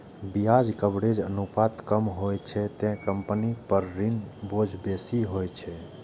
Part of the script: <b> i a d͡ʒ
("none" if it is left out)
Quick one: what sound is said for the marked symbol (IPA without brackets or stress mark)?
b